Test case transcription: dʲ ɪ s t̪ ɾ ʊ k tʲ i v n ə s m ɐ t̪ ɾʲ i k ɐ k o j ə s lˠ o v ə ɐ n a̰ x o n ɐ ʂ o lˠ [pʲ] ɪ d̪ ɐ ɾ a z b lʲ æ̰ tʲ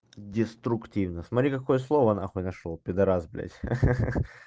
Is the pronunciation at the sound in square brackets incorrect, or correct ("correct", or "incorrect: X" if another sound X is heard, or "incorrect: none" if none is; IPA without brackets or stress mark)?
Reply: correct